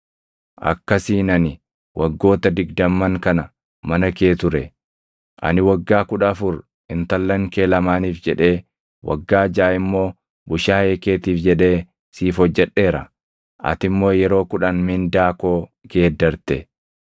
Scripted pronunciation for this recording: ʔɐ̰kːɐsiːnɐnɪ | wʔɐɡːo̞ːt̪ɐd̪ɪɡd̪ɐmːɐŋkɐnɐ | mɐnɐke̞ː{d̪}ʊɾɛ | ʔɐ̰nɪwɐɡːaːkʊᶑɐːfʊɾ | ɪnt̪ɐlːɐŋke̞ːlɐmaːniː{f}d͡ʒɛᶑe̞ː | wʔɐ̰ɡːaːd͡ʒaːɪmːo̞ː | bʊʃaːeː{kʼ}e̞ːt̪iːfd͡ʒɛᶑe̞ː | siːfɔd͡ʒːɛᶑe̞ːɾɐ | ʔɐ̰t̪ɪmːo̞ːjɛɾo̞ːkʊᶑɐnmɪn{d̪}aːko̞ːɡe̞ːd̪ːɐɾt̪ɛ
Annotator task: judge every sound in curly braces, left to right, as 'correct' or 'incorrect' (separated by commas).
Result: incorrect, correct, incorrect, correct